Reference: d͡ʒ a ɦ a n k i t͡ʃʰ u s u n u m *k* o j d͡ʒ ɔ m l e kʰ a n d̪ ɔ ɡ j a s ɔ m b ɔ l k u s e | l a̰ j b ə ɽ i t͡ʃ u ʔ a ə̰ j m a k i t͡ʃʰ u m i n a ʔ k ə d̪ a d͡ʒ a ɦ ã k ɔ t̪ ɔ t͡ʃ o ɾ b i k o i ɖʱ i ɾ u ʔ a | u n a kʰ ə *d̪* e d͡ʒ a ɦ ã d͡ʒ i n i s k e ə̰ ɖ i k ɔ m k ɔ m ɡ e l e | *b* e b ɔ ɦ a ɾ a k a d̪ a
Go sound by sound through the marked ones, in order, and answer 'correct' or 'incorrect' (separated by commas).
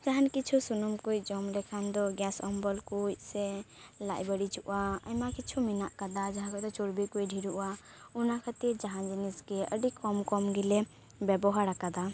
correct, incorrect, correct